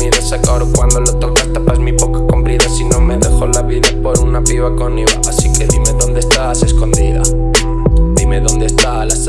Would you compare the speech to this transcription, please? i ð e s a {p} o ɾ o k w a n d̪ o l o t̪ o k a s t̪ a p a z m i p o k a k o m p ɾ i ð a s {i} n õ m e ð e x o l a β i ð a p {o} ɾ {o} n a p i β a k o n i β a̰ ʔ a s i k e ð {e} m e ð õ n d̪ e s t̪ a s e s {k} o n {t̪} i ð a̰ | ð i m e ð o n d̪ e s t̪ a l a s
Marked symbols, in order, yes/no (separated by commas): no, yes, yes, no, no, yes, no